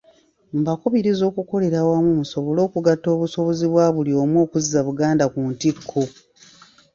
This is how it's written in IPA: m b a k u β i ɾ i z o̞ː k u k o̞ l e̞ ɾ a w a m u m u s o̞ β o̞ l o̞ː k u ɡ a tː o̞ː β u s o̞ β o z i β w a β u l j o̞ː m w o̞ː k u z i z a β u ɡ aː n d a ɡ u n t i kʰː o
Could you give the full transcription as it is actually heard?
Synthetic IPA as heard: m b a k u β i ɾ i z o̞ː k u k o̞ l e̞ ɾ a w a m u m u s o̞ β o̞ l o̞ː k u ɡ a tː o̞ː β u s o̞ β o z i β w a β u l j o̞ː m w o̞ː k u z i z a β u ɡ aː n d a k u n t i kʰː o